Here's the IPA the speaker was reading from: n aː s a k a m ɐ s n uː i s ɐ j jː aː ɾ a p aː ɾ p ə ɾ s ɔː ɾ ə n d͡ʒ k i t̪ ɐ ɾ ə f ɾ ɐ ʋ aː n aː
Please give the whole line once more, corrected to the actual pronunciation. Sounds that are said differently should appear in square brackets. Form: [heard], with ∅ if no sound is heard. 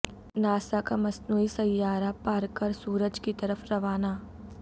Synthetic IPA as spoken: n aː s a k a m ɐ s n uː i s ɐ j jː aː ɾ a p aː ɾ [k] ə ɾ s [uː] ɾ ə [∅] d͡ʒ k i t̪ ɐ ɾ ə f ɾ ɐ ʋ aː n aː